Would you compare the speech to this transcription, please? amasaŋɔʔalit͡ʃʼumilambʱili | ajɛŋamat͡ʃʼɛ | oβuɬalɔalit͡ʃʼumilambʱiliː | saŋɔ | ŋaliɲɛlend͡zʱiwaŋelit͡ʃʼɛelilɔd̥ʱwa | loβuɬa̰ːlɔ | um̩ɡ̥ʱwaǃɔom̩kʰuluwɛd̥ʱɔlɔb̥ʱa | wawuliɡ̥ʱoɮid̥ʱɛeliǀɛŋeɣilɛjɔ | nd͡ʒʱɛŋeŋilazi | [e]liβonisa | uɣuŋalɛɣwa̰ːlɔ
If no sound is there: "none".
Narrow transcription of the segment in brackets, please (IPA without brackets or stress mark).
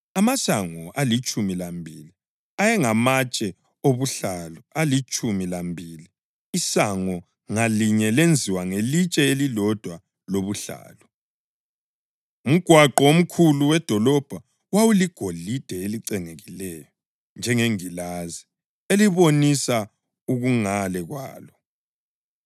e